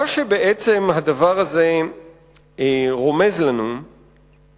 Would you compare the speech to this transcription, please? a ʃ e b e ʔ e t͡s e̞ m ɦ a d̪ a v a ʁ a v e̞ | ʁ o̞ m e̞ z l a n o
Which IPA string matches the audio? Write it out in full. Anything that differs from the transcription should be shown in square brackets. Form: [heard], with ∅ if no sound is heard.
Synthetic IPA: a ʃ e b e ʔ e t͡s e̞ m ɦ a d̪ a v a ʁ a [z] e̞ | ʁ o̞ m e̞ z l a n [u]